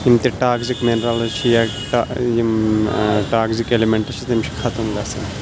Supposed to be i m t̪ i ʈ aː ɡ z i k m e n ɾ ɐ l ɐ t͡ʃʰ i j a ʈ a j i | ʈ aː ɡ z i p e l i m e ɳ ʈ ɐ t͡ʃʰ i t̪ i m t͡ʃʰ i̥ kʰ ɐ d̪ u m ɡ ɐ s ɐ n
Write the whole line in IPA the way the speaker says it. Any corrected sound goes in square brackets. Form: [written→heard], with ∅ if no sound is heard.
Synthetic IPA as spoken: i m t̪ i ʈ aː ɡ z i k m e n ɾ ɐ l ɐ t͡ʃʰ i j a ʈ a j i | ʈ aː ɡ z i [p→k] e l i m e ɳ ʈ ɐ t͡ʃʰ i t̪ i m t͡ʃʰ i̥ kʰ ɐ [d̪→t̪] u m ɡ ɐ s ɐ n